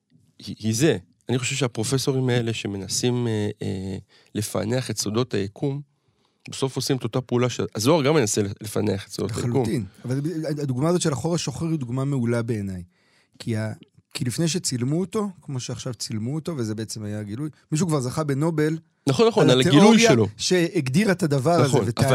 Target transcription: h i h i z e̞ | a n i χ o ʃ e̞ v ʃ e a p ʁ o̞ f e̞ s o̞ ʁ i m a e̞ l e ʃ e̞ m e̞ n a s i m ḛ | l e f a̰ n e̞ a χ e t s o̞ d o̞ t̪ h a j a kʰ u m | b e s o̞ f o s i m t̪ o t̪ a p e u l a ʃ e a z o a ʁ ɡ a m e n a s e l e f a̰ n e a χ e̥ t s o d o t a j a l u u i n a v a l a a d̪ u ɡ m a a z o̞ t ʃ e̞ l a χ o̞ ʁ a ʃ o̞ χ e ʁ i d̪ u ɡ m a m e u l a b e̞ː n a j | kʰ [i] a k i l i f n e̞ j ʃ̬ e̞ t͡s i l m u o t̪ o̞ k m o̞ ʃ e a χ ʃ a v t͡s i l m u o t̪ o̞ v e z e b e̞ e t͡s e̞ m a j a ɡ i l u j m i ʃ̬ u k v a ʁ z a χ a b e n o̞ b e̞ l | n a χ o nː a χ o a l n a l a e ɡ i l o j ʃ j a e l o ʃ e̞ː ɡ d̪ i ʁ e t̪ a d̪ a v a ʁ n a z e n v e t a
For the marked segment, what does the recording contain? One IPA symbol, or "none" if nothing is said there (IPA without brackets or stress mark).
i